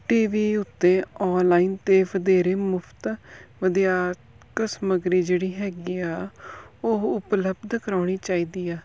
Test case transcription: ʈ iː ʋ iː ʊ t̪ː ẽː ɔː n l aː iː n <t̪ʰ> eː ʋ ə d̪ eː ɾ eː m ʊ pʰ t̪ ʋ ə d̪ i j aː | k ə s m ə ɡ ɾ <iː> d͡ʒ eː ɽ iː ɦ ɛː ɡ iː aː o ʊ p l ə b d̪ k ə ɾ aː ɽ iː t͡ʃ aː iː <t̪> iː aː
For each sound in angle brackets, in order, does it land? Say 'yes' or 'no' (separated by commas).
no, yes, no